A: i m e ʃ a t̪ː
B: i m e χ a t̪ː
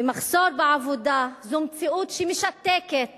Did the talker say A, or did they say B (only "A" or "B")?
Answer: A